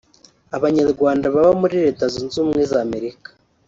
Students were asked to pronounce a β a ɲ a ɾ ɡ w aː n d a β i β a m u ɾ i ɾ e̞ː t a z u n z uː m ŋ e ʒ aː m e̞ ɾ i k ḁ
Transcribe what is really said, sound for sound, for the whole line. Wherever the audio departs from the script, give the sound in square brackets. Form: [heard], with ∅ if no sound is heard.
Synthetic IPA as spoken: a β a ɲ a ɾ ɡ w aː n d a β [a] β a m u ɾ i ɾ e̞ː t a z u n z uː m ŋ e [z] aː m e̞ ɾ i k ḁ